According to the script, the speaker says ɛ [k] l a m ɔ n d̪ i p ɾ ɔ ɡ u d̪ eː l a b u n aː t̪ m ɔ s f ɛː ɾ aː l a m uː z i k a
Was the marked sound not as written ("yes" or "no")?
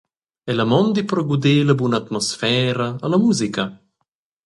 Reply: yes